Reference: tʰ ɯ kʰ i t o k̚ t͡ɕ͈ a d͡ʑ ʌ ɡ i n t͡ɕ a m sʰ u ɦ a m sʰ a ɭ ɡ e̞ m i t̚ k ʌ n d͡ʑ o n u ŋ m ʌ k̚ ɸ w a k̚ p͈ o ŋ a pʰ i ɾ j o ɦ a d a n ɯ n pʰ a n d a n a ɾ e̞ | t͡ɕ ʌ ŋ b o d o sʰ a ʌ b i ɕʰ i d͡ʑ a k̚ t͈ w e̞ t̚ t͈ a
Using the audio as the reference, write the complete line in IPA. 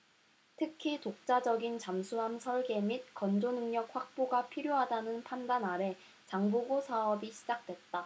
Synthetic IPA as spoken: tʰ ɯ kʰ i t o k̚ t͡ɕ͈ a d͡ʑ ʌ ɡ i n t͡ɕ a m sʰ u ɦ a m sʰ ʌ ɭ ɡ e̞ m i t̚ k ʌ n d͡ʑ o n ɯ ŋ ɲ ʌ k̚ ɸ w a k̚ p͈ o ɡ a pʰ i ɾ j o ɦ a d a n ɯ n pʰ a n d a n a ɾ e̞ | t͡ɕ a ŋ b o ɡ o sʰ a ʌ b i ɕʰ i d͡ʑ a k̚ t͈ w e̞ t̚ t͈ a